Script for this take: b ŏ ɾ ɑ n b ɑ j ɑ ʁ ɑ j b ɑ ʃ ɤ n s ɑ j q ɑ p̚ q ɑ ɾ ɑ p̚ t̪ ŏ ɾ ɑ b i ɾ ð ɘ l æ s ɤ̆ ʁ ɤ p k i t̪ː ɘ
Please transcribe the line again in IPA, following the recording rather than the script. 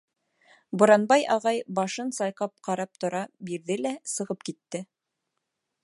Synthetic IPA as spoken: b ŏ ɾ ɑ n b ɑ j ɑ ʁ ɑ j b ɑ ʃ ɤ n s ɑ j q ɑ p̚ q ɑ ɾ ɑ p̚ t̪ ŏ ɾ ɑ b i ɾ ð ɘ l æ s ɤ̆ ʁ ɤ p k i t̪ː ɘ